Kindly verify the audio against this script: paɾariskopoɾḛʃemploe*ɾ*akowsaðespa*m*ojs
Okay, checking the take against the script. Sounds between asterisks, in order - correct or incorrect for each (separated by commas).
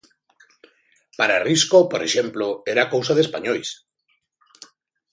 correct, incorrect